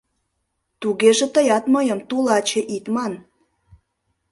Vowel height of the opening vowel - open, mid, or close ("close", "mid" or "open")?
close